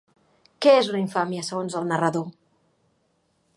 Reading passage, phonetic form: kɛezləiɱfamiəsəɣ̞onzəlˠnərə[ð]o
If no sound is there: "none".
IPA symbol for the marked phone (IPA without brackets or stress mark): ð